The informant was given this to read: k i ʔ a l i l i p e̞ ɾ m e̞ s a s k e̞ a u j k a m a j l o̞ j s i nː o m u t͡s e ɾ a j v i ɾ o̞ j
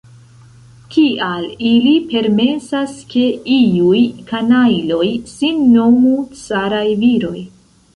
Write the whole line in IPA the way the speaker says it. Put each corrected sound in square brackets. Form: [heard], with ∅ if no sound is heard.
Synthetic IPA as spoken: k i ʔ a l i l i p e̞ ɾ m e̞ s a s k e̞ [i] u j k a [n] a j l o̞ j s i nː o m u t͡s [a] ɾ a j v i ɾ o̞ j